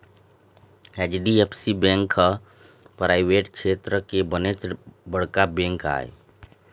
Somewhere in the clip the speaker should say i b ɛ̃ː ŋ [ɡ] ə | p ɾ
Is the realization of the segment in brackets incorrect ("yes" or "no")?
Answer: yes